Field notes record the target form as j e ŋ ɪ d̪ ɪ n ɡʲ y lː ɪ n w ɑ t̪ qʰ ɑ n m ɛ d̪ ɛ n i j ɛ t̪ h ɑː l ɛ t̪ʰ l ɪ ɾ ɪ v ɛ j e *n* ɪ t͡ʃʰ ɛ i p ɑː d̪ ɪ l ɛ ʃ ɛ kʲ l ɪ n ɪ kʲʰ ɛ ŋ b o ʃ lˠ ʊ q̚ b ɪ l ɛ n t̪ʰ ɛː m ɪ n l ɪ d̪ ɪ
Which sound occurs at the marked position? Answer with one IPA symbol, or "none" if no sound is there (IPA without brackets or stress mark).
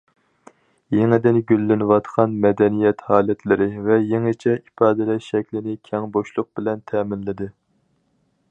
ŋ